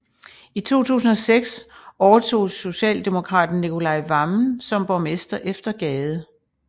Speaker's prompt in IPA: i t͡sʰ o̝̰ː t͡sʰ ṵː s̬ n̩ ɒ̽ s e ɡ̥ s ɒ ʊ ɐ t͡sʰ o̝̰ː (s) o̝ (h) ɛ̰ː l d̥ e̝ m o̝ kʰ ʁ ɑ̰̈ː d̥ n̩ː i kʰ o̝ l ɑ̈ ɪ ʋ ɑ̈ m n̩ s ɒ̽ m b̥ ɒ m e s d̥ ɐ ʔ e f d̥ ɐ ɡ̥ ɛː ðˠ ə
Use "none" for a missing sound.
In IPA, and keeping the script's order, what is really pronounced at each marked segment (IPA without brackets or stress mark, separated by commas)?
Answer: s, ɕ